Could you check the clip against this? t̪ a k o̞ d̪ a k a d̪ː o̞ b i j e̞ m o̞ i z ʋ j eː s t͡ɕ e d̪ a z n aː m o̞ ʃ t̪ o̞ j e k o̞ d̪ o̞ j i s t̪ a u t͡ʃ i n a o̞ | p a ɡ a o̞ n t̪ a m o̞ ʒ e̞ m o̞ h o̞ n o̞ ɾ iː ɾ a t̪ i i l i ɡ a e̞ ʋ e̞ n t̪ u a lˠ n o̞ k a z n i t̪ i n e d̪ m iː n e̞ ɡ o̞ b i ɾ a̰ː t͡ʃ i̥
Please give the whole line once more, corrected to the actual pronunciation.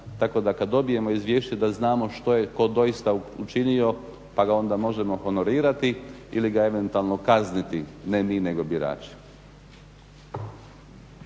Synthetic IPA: t̪ a k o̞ d̪ a k a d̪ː o̞ b i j e̞ m o̞ i z ʋ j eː ʃ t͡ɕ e d̪ a z n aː m o̞ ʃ t̪ o̞ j e k o̞ d̪ o̞ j i s t̪ a u t͡ʃ i n i o̞ | p a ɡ a o̞ n d̪ a m o̞ ʒ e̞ m o̞ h o̞ n o̞ ɾ iː ɾ a t̪ i i l i ɡ a e̞ ʋ e̞ n t̪ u a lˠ n o̞ k a z n i t̪ i n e m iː n e̞ ɡ o̞ b i ɾ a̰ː t͡ʃ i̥

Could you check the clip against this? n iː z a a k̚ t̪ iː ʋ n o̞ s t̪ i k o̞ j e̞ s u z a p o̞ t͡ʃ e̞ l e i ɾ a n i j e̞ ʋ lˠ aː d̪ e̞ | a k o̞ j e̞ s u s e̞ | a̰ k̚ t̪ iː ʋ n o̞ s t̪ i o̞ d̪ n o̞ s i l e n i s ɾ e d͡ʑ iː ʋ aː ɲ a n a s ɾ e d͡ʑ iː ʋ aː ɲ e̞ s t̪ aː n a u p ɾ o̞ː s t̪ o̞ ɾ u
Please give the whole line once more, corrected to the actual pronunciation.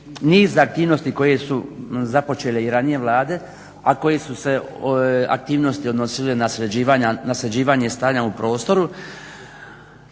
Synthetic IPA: n iː z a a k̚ t̪ iː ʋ n o̞ s t̪ i k o̞ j e̞ s u z a p o̞ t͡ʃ e̞ l e i ɾ a n i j e̞ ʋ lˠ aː d̪ e̞ | a k o̞ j e̞ s u s e̞ | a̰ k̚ t̪ iː ʋ n o̞ s t̪ i o̞ d̪ n o̞ s i l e n a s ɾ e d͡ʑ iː ʋ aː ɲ a n a s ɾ e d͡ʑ iː ʋ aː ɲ e̞ s t̪ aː ɲ a u p ɾ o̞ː s t̪ o̞ ɾ u

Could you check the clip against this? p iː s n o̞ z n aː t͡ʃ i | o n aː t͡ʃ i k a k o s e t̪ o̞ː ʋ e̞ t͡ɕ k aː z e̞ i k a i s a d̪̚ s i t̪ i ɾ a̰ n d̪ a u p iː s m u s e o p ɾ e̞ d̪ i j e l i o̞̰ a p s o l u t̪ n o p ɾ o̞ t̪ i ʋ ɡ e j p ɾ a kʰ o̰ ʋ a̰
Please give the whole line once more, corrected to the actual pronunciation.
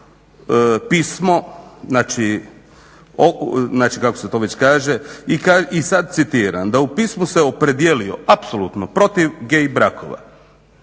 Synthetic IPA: p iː s m o̞ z n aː t͡ʃ i | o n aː t͡ʃ i k a k o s e t̪ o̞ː ʋ e̞ t͡ɕ k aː ʒ e̞ i k a i s a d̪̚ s i t̪ i ɾ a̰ n d̪ a u p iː s m u s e o p ɾ e̞ d̪ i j e l i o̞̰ a p s o l u t̪ n o p ɾ o̞ t̪ i ʋ ɡ e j b ɾ a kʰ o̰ ʋ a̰

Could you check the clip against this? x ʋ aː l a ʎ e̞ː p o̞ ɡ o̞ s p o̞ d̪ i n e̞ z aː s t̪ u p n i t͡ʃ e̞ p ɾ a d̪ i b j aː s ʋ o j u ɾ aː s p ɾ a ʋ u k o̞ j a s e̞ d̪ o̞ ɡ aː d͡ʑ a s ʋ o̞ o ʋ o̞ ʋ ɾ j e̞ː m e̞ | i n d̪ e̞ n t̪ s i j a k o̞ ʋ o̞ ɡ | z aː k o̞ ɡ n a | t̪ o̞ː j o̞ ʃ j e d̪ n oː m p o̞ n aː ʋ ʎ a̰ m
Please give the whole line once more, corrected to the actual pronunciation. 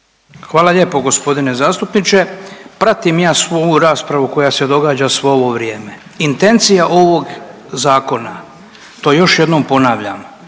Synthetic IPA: x ʋ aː l a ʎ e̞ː p o̞ ɡ o̞ s p o̞ d̪ i n e̞ z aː s t̪ u p n i t͡ʃ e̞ p ɾ a t̪ i m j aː s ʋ o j u ɾ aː s p ɾ a ʋ u k o̞ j a s e̞ d̪ o̞ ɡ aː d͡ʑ a s ʋ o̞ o ʋ o̞ ʋ ɾ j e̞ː m e̞ | i n t̪ e̞ n t̪ s i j a ʔ o̞ ʋ o̞ ɡ | z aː k o̞ n a | t̪ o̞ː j o̞ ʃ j e d̪ n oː m p o̞ n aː ʋ ʎ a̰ m

